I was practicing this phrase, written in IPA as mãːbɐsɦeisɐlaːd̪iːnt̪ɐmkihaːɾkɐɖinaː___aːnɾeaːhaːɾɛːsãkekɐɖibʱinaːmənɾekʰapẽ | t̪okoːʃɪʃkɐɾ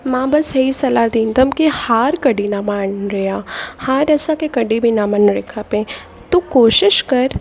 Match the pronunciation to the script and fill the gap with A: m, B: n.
A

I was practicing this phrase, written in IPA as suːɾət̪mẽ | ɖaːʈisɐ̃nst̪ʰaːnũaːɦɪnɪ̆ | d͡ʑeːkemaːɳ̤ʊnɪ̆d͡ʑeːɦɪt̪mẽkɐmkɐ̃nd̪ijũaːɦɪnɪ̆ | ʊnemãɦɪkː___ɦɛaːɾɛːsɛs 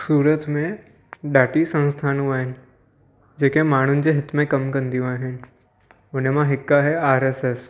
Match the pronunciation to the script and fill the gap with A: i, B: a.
B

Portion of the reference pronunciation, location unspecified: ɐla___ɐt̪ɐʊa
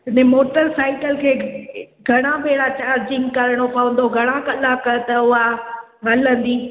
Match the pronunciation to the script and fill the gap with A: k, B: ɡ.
A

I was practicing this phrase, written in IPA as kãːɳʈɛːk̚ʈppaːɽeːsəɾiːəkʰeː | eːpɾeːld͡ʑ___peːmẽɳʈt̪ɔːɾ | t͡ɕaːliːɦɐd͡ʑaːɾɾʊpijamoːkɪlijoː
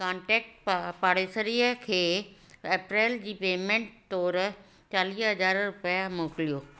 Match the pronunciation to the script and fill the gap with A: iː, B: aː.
A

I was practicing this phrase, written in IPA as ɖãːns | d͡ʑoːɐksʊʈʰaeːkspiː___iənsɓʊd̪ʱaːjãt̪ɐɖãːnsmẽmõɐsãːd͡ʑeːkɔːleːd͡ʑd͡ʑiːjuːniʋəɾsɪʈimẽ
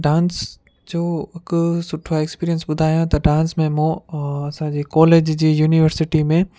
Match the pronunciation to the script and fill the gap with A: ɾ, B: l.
A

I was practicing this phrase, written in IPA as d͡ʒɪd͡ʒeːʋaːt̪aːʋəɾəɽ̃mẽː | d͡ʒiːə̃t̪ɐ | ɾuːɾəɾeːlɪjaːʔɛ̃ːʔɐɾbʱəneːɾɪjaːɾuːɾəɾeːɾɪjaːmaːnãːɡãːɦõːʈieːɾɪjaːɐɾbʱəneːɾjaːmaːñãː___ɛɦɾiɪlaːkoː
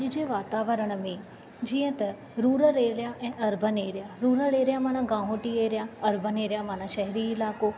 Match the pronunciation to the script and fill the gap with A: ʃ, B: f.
A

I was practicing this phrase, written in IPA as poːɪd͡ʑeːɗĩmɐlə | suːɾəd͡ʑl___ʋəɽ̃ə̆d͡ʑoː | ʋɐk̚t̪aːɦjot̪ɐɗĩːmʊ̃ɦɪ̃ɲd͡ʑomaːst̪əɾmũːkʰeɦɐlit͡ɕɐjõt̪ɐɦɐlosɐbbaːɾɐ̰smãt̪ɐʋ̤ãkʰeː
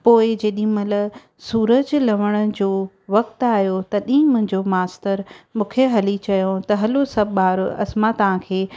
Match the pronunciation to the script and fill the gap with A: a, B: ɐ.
B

